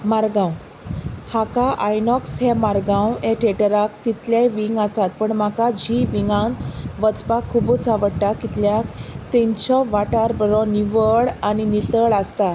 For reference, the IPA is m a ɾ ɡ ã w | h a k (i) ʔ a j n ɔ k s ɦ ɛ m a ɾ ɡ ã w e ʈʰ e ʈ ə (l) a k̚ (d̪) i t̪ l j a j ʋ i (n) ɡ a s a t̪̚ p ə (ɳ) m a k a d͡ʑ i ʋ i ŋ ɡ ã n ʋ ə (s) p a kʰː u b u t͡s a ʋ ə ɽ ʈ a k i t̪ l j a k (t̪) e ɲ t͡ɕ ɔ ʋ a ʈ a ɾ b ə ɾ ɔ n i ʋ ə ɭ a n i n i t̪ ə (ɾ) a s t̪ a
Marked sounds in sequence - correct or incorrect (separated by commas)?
incorrect, incorrect, incorrect, incorrect, correct, incorrect, correct, incorrect